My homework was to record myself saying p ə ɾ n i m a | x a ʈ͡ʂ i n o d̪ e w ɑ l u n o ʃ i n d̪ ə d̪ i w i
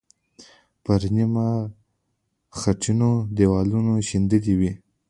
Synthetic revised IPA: p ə ɾ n i m a | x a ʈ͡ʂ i n o d̪ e w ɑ l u n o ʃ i n d̪ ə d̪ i w i